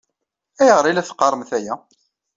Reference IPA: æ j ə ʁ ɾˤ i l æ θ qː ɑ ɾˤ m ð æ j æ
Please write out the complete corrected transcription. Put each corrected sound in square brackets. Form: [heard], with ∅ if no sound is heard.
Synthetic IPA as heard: æ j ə ʁ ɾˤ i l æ θ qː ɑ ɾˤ m [θ] æ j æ